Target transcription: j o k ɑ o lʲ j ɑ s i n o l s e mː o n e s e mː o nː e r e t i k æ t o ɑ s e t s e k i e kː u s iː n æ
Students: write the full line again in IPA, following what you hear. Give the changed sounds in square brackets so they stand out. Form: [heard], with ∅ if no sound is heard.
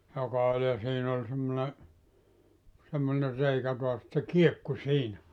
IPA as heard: j o k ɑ o lʲ j ɑ s [iː] n o l s e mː o n e s e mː o [n] e r e [∅] i k æ t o ɑ s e t s e k i e kː u s iː n æ